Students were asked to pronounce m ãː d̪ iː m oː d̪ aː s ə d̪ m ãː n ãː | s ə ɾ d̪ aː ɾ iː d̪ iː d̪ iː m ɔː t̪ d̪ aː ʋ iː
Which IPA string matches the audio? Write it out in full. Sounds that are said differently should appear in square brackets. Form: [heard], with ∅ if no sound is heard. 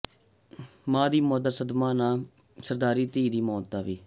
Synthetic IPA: m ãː d̪ iː m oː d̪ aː s ə d̪ m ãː n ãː | s ə ɾ d̪ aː ɾ iː [t̪] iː d̪ iː m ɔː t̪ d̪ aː ʋ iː